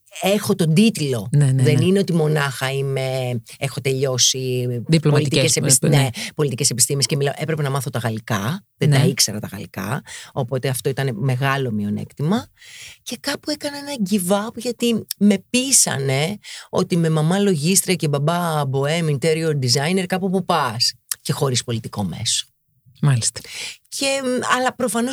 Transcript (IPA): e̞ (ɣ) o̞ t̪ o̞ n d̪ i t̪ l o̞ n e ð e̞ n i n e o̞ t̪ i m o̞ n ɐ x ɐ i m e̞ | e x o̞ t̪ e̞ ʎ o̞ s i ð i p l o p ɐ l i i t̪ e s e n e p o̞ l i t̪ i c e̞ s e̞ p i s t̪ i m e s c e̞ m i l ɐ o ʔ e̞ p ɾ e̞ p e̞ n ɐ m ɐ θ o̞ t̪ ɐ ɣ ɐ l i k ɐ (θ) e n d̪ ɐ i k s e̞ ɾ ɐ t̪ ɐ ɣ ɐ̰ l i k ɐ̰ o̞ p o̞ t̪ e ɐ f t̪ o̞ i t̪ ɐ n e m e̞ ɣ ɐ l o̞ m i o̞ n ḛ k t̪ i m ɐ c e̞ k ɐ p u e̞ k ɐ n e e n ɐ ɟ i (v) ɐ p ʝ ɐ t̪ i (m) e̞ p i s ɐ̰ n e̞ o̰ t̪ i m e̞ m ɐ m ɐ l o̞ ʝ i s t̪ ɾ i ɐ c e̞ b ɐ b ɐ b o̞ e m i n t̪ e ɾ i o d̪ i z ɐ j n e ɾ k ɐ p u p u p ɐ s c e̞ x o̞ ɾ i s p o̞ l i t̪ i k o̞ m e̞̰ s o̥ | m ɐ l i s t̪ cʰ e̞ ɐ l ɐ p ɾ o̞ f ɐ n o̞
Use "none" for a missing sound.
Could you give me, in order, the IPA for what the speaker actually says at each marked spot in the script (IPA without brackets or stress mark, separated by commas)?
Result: x, ð, v, m